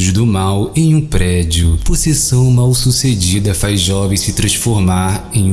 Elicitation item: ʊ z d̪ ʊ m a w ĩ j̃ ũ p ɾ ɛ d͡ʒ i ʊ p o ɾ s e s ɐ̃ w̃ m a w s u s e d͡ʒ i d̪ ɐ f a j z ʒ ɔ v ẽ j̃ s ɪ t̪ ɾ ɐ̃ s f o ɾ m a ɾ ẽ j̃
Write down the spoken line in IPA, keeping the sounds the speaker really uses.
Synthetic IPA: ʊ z d̪ ʊ m a w ẽ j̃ ũ p ɾ ɛ d͡ʒ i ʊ p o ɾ s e s ɐ̃ w̃ m a w s u s e d͡ʒ i d̪ ɐ f a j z ʒ ɔ v ẽ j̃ s ɪ t̪ ɾ ɐ̃ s f o ɾ m a ɾ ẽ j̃